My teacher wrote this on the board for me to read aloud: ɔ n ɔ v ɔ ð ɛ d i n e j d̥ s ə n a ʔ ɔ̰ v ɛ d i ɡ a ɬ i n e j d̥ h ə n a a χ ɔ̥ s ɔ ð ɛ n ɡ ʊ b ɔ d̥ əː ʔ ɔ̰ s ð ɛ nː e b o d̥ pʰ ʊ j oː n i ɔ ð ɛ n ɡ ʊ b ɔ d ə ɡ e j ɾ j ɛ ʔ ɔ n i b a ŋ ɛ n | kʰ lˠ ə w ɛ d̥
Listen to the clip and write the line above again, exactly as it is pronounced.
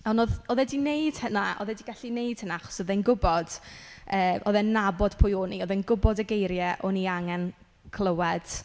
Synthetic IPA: ɔ n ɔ ð ɔ ð ɛ d i n e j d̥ h ə n a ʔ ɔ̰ ð ɛ d i ɡ a ɬ i n e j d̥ h ə n a a χ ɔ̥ s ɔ ð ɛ n ɡ ʊ b ɔ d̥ əː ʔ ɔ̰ ð ɛ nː a b ɔ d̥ pʰ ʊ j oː n i ɔ ð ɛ n ɡ ʊ b ɔ d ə ɡ e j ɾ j ɛ ʔ ɔ n i a ŋ ɛ n | kʰ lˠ ə w ɛ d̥